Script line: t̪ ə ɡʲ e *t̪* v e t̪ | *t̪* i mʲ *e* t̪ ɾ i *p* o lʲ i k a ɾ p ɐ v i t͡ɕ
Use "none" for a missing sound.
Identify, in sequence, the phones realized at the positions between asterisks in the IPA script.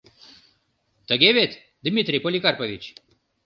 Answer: none, d̪, i, p

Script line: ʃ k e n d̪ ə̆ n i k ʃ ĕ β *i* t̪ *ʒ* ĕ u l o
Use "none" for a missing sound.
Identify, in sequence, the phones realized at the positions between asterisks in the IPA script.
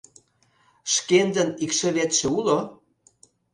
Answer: e, ʃ

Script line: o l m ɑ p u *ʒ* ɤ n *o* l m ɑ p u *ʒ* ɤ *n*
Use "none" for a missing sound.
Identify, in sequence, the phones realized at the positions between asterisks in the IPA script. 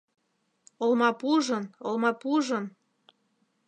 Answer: ʒ, o, ʒ, n

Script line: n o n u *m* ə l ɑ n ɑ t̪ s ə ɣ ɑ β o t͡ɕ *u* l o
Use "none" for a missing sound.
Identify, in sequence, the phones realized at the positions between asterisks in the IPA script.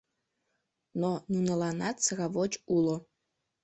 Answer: n, u

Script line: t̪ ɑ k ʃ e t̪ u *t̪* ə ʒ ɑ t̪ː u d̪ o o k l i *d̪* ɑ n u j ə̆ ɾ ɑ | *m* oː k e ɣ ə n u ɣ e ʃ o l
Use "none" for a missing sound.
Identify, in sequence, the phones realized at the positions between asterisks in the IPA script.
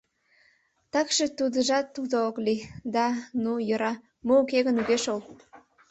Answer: d̪, d̪, m

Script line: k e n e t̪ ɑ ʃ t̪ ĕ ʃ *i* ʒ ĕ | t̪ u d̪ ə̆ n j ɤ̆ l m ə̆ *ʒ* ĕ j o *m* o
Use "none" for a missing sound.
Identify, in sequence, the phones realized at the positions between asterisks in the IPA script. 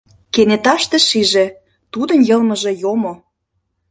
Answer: i, ʒ, m

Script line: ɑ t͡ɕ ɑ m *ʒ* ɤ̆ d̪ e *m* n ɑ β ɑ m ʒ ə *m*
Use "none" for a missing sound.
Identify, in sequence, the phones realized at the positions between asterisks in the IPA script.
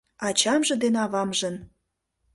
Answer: ʒ, none, n

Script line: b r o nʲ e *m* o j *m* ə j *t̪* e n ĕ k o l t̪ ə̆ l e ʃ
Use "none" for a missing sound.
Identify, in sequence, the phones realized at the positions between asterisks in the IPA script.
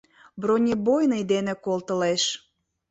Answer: b, n, d̪

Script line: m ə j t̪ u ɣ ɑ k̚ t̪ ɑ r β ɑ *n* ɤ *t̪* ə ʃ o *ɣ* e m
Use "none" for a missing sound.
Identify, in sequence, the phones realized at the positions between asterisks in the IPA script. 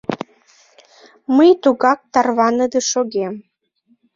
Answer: n, d̪, ɣ

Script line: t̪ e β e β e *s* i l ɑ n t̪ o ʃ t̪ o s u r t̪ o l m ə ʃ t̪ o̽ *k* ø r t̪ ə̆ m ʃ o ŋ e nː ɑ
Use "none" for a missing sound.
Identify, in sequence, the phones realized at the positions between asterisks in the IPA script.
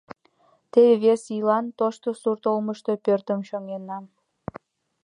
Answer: s, p

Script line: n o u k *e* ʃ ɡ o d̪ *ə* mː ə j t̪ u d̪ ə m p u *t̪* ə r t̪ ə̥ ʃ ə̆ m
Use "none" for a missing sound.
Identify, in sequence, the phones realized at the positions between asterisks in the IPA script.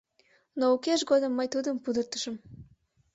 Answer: e, ə, d̪

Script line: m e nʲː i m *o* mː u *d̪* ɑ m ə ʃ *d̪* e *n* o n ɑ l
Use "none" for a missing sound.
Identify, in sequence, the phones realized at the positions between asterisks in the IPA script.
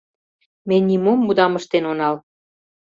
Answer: o, d̪, t̪, n

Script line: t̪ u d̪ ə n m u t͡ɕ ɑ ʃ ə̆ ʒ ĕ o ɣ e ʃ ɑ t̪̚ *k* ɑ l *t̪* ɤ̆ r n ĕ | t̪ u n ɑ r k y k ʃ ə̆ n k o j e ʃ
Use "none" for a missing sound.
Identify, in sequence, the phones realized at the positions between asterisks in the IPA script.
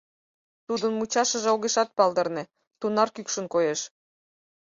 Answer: p, d̪

